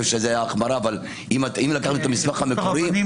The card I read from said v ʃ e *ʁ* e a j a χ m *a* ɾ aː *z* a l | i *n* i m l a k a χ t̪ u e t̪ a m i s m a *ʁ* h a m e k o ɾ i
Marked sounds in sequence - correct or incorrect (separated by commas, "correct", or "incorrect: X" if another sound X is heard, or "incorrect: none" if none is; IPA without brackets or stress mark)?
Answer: incorrect: z, correct, incorrect: v, incorrect: m, incorrect: χ